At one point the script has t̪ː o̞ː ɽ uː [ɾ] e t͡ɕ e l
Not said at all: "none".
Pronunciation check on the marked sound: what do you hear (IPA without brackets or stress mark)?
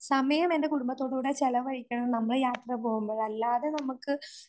ɽ